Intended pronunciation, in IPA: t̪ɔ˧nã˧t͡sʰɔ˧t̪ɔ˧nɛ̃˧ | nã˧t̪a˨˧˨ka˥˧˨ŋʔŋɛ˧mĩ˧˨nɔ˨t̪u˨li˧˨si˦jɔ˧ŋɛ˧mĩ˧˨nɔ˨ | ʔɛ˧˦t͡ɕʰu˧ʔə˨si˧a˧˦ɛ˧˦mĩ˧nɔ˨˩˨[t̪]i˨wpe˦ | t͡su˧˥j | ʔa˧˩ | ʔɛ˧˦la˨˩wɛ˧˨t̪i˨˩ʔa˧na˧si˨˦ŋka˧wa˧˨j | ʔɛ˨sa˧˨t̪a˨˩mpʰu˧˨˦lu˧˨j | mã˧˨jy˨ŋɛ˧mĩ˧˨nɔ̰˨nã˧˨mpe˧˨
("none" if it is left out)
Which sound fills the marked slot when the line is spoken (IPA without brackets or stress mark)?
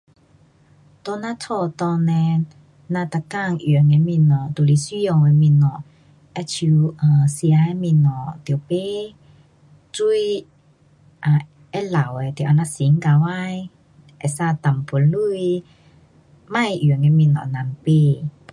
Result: t̪